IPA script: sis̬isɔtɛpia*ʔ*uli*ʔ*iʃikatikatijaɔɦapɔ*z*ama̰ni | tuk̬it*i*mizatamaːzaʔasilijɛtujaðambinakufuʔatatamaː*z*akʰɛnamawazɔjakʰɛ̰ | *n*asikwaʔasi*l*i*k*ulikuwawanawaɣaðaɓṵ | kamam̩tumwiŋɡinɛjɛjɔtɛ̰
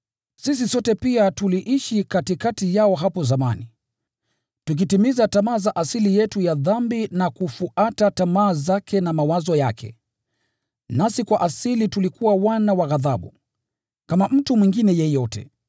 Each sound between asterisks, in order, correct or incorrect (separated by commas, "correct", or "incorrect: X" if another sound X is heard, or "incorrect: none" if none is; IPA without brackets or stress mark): incorrect: t, correct, correct, correct, correct, correct, correct, incorrect: t